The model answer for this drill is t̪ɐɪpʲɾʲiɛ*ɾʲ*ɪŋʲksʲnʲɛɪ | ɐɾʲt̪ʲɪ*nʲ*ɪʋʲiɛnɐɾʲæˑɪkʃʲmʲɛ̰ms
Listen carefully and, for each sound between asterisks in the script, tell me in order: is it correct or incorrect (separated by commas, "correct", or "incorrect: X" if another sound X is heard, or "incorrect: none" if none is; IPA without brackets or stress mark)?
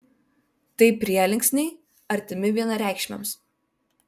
incorrect: lʲ, incorrect: mʲ